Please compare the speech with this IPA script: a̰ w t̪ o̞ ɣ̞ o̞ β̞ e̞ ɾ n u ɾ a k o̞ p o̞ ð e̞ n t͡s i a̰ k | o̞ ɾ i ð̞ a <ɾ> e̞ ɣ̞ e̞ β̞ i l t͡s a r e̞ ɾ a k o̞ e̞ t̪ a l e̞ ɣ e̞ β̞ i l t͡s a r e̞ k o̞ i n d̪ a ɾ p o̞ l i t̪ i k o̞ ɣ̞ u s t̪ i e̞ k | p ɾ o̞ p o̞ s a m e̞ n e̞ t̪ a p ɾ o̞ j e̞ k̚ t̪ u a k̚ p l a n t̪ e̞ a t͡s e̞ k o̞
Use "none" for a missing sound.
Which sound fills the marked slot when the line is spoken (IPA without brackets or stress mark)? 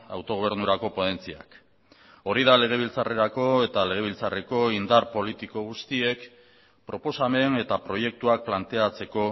l